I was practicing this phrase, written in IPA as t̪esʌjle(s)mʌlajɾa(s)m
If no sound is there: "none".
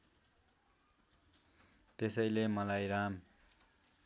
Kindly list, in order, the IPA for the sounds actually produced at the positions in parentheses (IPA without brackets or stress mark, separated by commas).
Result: none, none